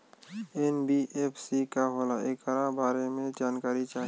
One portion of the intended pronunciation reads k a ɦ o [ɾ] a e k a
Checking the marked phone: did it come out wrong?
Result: yes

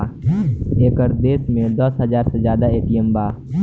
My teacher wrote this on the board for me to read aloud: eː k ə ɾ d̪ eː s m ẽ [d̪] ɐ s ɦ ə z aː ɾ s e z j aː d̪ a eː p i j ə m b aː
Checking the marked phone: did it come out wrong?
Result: no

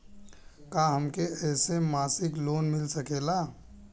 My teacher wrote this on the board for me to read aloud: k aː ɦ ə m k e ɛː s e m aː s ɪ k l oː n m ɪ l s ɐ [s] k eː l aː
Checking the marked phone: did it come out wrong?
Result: yes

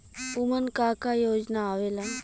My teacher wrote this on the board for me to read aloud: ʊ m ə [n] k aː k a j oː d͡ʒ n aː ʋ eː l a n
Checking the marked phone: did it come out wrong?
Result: no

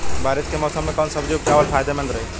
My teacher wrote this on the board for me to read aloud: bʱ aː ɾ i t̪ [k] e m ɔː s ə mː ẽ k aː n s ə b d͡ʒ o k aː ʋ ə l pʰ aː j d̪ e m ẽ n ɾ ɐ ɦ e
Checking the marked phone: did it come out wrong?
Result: no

